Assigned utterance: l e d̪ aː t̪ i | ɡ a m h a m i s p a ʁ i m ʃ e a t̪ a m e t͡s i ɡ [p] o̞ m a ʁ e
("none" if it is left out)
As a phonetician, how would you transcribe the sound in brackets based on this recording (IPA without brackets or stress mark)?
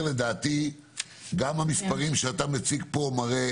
p